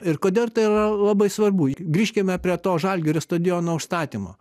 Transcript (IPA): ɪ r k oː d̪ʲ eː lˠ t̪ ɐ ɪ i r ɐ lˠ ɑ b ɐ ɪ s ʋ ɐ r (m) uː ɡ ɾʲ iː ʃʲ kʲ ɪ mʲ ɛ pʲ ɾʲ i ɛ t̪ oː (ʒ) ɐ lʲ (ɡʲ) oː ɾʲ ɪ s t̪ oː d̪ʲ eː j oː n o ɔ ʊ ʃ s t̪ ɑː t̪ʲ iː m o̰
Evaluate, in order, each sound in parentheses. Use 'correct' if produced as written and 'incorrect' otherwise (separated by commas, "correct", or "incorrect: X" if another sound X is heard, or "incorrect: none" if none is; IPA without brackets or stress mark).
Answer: incorrect: b, correct, correct